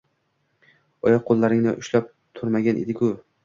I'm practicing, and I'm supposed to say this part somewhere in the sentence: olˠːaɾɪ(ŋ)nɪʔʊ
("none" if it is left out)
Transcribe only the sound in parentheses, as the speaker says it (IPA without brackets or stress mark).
ŋ